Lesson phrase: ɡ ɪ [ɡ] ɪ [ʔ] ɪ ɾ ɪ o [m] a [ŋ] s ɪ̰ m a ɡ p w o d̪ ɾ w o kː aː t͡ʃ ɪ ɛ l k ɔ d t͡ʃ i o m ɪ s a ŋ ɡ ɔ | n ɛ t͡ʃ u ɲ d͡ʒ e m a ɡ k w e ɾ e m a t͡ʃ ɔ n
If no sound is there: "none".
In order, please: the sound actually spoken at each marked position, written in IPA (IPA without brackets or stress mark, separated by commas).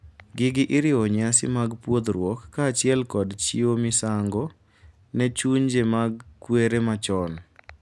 ɡ, ʔ, ɲ, none